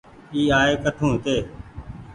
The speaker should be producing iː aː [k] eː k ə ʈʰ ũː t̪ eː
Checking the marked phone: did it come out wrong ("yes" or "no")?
yes